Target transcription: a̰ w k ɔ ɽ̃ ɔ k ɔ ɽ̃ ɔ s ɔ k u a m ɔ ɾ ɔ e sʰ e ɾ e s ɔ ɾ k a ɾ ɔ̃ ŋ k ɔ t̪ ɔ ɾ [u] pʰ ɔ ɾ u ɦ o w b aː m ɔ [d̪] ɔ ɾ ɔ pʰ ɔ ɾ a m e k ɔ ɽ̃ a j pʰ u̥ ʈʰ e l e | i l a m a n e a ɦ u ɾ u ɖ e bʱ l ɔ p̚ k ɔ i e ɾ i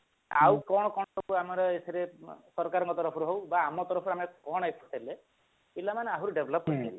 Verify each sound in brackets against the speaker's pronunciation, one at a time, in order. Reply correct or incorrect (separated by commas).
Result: incorrect, incorrect